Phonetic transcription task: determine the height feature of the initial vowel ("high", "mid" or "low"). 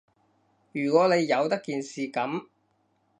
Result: high